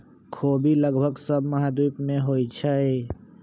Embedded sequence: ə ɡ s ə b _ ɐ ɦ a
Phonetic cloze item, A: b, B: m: B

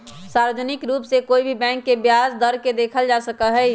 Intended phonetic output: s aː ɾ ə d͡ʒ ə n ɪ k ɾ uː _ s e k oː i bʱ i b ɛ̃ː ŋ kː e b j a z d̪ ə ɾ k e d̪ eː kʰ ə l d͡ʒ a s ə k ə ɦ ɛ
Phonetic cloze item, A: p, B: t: A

